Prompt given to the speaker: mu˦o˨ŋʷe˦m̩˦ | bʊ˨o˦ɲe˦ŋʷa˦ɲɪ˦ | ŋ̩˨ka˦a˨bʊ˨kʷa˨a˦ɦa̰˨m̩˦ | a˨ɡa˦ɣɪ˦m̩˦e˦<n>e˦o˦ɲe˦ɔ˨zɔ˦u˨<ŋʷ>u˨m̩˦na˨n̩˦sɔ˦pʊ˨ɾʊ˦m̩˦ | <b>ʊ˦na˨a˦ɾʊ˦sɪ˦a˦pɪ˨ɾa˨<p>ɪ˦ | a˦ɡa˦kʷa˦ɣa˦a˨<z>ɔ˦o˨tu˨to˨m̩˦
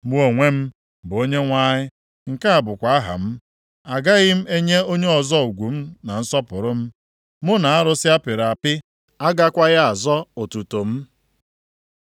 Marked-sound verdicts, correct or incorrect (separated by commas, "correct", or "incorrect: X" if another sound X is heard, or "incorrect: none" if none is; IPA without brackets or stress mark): incorrect: ɲ, incorrect: ɡʷ, incorrect: m, correct, correct